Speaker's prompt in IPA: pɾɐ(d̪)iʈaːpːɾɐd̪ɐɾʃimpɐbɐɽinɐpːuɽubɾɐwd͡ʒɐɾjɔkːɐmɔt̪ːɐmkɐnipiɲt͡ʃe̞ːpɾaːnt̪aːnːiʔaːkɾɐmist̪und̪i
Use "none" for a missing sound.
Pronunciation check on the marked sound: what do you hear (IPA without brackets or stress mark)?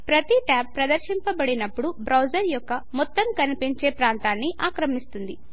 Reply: t̪